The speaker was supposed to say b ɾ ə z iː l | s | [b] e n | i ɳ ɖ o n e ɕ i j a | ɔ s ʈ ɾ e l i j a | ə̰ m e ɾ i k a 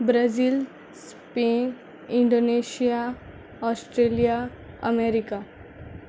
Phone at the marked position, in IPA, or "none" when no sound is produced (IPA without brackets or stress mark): p